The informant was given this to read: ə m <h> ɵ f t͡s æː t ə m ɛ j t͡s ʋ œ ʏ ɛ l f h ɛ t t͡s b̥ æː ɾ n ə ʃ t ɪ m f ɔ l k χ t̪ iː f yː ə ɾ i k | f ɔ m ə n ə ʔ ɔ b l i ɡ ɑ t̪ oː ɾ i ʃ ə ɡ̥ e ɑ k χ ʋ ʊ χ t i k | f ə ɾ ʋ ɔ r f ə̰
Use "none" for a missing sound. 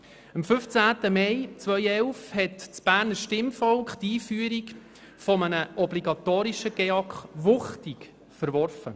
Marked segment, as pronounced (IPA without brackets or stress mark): f